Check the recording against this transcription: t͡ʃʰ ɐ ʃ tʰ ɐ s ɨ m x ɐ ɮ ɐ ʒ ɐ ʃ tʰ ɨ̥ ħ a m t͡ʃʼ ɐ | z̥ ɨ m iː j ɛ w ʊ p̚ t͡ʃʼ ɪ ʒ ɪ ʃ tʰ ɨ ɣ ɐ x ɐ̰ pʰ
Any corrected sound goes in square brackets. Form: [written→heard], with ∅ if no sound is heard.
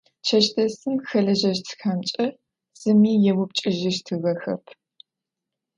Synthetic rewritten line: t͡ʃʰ ɐ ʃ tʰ ɐ s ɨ m x ɐ ɮ ɐ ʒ ɐ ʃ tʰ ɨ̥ [ħ→x] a m t͡ʃʼ ɐ | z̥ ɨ m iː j ɛ w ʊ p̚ t͡ʃʼ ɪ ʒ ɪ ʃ tʰ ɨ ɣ ɐ x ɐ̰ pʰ